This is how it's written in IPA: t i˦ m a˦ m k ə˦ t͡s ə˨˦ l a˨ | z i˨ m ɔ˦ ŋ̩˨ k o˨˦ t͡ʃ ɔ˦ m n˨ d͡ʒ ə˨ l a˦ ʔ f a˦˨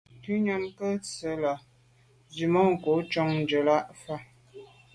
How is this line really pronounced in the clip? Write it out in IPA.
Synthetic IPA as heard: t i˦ ɲ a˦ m k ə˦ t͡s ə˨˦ l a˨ | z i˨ m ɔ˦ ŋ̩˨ k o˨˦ t͡ʃ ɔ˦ ŋ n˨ d͡ʒ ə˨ l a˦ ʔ f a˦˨